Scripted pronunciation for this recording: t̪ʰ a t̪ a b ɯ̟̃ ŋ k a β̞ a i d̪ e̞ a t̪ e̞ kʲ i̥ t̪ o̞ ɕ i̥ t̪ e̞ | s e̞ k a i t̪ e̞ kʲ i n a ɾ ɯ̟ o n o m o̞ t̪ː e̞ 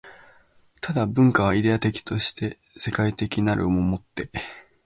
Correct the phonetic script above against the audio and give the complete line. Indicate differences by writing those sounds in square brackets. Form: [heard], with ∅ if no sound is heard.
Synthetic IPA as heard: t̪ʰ a [d̪] a b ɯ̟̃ ŋ k a β̞ a i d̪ e̞ a t̪ e̞ kʲ i̥ t̪ o̞ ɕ i̥ t̪ e̞ | s e̞ k a i t̪ e̞ kʲ i n a ɾ ɯ̟ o [m] o m o̞ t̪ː e̞